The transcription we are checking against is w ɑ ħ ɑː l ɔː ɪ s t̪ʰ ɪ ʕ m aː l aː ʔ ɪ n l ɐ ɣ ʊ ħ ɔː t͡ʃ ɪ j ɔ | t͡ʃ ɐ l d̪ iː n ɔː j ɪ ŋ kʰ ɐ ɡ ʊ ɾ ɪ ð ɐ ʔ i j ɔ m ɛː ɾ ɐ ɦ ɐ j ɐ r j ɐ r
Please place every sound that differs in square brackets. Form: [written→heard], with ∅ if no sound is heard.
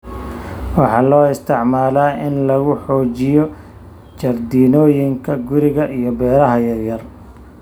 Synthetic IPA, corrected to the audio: w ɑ ħ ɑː l ɔː ɪ s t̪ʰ ɪ ʕ m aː l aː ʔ ɪ n l ɐ ɣ ʊ ħ ɔː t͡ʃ ɪ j ɔ | t͡ʃ ɐ [l→r] d̪ iː n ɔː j ɪ ŋ kʰ ɐ ɡ ʊ ɾ ɪ [ð→ɣ] ɐ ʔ i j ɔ [m→b] ɛː ɾ ɐ ɦ ɐ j ɐ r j ɐ r